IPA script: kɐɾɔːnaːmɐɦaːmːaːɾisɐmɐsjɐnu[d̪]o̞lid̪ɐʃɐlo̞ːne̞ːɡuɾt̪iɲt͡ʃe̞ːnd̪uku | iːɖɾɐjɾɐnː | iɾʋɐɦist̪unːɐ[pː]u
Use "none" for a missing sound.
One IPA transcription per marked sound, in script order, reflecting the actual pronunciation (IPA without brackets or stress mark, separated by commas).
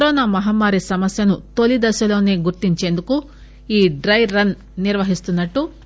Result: t̪, ʈː